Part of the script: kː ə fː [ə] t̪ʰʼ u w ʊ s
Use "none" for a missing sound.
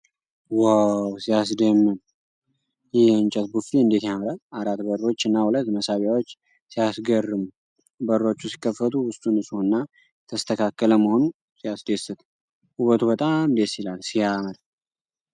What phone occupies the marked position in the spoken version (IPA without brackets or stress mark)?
ə